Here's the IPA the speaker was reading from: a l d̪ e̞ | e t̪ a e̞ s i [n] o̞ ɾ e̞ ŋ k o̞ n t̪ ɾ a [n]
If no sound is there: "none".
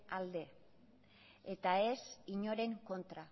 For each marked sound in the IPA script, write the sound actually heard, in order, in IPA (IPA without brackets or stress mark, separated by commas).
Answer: ɲ, none